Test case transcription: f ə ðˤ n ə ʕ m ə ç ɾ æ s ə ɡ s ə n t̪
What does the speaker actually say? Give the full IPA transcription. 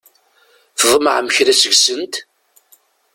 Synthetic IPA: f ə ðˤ m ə ʕ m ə ç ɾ æ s ə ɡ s ə n t̪